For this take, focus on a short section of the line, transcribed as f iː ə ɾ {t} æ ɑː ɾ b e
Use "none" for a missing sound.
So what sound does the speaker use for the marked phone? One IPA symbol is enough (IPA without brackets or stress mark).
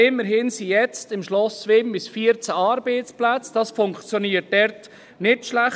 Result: t͡s